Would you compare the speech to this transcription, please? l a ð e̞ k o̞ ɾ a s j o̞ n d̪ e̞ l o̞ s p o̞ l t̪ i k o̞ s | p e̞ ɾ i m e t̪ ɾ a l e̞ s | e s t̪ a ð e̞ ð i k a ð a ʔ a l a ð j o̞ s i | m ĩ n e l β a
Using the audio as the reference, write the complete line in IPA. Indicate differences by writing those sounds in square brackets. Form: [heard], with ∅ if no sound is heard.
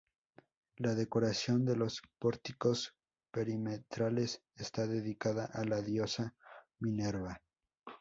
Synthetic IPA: l a ð e̞ k o̞ ɾ a s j o̞ n d̪ e̞ l o̞ s p o̞ [ɾ] t̪ i k o̞ s | p e̞ ɾ i m e t̪ ɾ a l e̞ s | e s t̪ a ð e̞ ð i k a ð a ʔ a l a ð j o̞ s [a] | m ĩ n e [ɾ] β a